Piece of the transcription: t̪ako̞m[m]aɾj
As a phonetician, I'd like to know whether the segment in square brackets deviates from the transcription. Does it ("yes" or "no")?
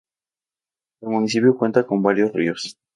yes